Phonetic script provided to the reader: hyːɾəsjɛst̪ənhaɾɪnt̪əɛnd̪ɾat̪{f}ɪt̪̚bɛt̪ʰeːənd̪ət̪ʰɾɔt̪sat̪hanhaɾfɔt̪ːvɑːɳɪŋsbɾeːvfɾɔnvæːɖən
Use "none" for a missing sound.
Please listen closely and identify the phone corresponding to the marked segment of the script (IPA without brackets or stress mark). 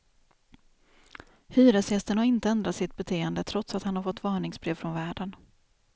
s